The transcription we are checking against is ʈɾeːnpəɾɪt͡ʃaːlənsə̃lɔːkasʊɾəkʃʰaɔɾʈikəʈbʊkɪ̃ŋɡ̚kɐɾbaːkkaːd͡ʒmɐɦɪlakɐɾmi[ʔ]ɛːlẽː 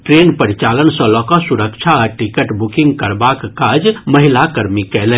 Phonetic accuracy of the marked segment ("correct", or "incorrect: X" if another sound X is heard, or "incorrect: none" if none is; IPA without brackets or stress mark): incorrect: k